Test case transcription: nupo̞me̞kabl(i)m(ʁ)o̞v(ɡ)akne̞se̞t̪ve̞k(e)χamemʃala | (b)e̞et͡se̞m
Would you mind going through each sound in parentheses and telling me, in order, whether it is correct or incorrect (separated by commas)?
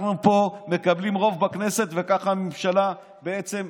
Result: correct, correct, incorrect, incorrect, correct